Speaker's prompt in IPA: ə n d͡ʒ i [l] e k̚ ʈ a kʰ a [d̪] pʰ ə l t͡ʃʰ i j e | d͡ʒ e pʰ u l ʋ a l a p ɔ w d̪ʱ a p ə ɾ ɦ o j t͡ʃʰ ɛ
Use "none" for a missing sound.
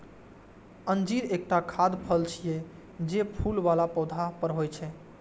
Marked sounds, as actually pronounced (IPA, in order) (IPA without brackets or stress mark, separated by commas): ɾ, d̪